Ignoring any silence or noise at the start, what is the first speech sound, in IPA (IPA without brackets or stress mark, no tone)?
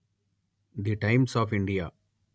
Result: d̪